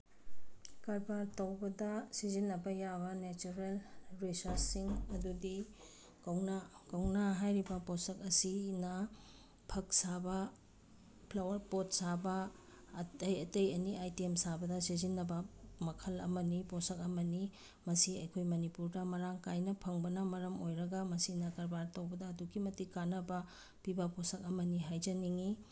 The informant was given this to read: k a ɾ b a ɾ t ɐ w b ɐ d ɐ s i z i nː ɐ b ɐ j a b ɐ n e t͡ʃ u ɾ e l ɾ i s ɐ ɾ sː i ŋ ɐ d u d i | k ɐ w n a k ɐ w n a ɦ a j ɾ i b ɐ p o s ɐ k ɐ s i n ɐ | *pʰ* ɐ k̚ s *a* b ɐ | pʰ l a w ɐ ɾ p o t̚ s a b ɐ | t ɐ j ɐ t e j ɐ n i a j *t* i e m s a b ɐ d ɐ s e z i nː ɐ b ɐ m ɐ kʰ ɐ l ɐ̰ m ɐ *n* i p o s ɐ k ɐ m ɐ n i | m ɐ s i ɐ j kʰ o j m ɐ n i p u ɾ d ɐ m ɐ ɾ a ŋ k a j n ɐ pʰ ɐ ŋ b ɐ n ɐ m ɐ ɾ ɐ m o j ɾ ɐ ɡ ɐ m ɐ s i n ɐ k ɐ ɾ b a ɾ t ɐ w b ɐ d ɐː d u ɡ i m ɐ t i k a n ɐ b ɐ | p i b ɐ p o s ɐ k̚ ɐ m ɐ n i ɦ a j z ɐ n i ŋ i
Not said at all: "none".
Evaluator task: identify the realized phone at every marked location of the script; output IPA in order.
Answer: pʰ, a, t, n

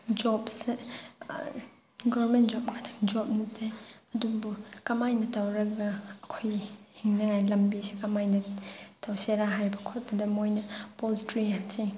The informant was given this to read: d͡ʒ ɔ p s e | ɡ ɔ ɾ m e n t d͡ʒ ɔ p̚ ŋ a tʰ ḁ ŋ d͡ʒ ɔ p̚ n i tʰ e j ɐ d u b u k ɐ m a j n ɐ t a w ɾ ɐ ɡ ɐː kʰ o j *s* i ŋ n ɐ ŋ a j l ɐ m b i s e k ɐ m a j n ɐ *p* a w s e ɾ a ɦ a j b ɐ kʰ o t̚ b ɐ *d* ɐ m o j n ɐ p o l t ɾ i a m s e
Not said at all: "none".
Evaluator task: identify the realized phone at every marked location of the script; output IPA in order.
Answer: h, t, d

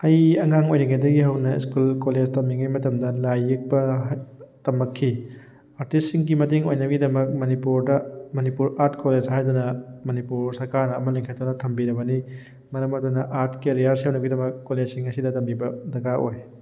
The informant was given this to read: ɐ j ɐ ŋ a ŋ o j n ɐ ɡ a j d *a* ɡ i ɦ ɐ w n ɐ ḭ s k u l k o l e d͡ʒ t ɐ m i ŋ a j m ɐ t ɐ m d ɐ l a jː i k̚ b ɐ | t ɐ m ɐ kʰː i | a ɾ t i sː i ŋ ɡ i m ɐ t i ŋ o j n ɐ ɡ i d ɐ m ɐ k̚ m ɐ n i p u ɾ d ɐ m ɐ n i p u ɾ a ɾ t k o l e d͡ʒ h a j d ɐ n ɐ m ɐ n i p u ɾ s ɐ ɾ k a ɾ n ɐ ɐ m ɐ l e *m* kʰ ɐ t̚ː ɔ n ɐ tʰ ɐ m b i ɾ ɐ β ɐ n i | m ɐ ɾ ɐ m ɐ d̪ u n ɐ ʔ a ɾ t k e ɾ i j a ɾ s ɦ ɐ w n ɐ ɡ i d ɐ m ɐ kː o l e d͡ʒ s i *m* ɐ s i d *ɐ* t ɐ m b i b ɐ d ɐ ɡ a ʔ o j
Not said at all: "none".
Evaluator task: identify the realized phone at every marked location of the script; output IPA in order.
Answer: ɐ, ŋ, ŋ, ɐ

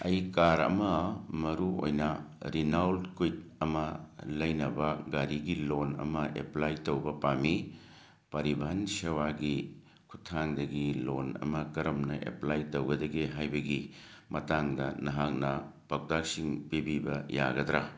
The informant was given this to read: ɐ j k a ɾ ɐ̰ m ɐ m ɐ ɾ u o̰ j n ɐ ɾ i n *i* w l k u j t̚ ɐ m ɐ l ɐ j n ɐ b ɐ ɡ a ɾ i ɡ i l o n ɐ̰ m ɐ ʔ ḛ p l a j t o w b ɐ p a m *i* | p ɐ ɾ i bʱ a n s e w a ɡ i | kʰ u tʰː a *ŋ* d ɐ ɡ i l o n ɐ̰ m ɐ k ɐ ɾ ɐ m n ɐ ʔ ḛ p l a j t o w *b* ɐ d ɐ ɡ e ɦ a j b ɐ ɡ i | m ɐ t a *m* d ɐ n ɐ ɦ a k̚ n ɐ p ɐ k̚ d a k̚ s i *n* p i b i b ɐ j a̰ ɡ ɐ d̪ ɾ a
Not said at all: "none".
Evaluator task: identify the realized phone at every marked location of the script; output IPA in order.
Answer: a, i, ŋ, ɡ, ŋ, ŋ

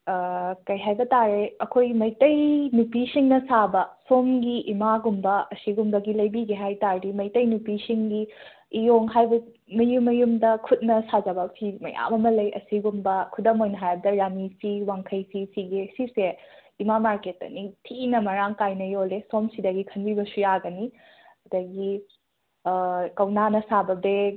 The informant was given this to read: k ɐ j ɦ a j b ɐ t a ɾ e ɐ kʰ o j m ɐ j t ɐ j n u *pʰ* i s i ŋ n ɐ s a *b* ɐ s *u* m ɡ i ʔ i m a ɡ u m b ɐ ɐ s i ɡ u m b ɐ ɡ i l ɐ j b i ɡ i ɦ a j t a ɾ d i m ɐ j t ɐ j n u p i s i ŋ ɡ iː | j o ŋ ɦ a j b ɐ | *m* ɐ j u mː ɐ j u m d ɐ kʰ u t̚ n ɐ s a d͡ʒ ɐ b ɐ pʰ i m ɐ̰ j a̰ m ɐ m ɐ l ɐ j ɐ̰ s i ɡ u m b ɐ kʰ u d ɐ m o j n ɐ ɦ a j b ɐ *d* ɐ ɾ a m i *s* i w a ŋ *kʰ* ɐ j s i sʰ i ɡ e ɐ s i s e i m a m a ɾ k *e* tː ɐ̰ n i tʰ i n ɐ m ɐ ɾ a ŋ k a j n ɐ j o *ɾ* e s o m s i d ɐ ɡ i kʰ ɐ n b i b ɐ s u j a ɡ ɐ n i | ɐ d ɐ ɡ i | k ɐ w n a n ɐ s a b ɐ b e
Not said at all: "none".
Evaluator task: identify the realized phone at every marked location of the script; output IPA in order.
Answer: p, b, o, m, d, s, kʰ, e, l

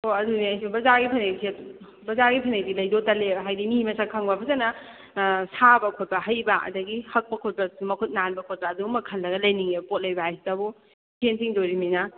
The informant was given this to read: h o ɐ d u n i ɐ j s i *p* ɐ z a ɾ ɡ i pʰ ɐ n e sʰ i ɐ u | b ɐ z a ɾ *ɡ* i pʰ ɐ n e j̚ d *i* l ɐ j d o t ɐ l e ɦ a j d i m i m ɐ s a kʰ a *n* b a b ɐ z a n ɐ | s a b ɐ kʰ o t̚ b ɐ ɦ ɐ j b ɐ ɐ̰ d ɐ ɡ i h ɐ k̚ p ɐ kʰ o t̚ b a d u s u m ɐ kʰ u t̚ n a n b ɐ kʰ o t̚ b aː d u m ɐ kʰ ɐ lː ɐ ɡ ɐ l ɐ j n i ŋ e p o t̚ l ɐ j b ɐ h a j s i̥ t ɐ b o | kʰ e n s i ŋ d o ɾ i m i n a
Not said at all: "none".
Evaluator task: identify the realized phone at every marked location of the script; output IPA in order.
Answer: b, ɡ, i, ŋ

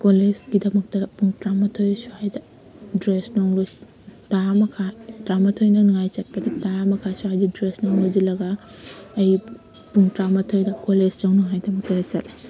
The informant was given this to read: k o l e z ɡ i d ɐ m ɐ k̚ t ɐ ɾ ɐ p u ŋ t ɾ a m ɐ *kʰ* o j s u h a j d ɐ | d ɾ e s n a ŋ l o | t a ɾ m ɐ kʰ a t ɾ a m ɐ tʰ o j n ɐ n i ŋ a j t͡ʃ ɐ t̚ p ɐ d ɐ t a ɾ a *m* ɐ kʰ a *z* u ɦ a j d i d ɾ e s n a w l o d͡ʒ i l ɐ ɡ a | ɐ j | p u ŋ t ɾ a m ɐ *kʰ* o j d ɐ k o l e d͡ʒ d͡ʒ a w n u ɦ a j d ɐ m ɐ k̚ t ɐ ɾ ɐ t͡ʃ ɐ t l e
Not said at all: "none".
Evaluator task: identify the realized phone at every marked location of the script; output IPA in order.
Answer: tʰ, m, s, tʰ

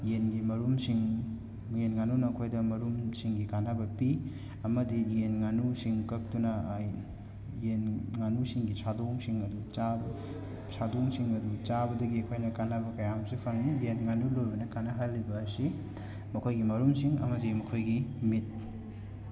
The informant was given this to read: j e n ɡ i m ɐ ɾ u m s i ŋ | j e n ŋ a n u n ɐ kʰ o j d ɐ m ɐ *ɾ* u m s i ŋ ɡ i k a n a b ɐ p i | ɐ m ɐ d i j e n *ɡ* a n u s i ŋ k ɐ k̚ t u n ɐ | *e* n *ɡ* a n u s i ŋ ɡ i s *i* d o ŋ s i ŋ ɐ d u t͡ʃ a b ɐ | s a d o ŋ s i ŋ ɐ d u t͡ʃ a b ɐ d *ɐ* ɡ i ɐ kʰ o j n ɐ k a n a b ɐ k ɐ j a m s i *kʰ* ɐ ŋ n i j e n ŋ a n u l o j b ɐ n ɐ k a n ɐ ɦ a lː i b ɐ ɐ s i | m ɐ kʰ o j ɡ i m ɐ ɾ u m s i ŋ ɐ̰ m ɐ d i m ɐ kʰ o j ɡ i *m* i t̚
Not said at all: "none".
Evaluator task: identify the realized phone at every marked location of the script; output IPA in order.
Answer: ɾ, ŋ, e, ŋ, a, ɐ, pʰ, m

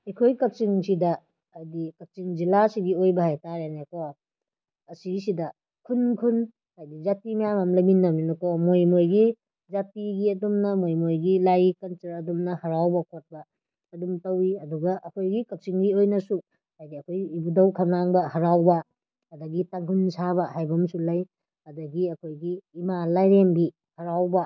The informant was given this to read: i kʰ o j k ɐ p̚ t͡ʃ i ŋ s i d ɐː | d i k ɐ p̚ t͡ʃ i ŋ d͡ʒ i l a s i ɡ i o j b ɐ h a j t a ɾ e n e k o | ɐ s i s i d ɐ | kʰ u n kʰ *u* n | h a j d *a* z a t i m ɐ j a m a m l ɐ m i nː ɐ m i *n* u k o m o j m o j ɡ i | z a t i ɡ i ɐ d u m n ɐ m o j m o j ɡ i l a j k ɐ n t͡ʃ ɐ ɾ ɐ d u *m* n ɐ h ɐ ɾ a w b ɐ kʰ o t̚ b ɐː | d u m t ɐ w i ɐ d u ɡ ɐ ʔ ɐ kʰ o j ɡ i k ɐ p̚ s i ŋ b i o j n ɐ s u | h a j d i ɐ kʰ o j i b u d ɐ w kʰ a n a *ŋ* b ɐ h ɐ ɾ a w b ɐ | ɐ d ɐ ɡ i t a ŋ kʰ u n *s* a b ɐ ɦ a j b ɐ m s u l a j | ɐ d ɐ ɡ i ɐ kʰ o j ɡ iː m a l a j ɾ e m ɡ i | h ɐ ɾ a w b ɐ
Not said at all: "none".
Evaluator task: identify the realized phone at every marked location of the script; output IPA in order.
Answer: u, i, n, m, ŋ, s

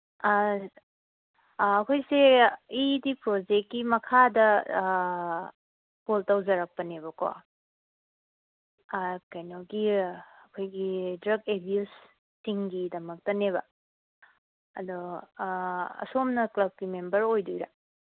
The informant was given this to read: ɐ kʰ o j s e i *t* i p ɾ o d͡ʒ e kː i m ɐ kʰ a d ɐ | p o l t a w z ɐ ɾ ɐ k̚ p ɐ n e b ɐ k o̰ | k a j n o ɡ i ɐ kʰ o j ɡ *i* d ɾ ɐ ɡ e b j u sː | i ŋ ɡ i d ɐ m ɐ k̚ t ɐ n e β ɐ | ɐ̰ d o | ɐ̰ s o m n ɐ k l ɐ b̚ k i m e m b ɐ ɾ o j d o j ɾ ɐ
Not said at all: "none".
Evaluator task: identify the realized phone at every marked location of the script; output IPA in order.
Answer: d, i

